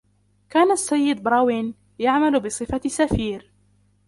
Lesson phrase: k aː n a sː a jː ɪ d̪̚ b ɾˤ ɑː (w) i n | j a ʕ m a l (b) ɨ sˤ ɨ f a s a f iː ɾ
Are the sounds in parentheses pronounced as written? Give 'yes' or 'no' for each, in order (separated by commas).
yes, yes